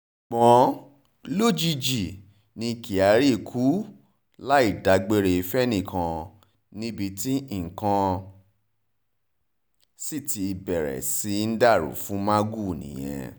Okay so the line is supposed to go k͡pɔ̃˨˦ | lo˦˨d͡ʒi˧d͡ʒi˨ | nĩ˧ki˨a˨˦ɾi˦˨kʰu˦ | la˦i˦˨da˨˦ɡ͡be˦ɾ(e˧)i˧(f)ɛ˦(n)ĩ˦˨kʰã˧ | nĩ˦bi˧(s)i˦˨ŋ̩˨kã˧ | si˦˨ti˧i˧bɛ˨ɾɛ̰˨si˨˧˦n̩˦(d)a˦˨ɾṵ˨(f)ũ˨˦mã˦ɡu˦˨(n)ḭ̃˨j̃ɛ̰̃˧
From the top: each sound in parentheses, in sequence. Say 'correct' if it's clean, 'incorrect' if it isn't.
correct, correct, correct, incorrect: t, correct, correct, correct

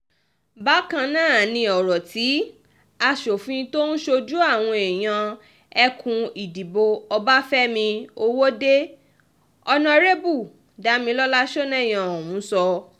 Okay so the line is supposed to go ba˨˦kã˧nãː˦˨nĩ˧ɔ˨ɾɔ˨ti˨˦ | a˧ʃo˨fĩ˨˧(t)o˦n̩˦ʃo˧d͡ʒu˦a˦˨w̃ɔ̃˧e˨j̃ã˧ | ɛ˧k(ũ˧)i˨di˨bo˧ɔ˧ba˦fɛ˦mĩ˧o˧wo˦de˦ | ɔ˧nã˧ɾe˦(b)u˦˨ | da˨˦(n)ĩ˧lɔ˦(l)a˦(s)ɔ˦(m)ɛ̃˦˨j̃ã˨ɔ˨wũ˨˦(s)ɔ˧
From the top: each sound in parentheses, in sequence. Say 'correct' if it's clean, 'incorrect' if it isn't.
correct, correct, correct, incorrect: m, correct, incorrect: ʃ, incorrect: n, correct

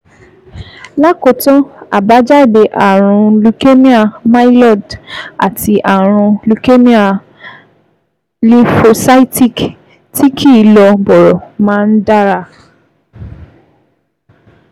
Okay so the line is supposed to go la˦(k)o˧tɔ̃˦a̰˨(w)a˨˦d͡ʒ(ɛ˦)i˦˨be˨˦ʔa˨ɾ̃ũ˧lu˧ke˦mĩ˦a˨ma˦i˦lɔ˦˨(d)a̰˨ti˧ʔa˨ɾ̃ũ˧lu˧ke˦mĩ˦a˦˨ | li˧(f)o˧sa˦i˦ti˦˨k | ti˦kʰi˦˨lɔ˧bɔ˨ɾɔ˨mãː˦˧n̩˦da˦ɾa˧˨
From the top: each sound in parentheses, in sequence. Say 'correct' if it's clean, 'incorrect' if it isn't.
correct, incorrect: b, incorrect: a˦, correct, correct

